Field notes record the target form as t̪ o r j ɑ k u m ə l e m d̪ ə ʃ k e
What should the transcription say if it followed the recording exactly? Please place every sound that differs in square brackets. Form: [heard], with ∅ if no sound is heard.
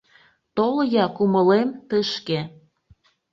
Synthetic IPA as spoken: t̪ o [l] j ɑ k u m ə l e m [t̪] ə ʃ k e